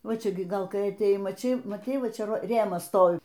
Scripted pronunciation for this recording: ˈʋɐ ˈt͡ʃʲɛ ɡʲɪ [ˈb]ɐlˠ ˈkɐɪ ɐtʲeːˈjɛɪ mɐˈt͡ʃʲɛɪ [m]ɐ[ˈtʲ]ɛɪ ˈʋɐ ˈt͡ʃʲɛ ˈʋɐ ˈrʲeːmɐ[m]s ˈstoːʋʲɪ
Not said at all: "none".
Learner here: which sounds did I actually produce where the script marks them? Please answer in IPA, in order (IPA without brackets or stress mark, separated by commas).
ɡ, m, tʲ, none